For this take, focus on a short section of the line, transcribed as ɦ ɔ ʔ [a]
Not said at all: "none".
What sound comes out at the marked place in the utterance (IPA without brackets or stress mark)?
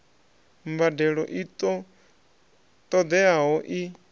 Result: i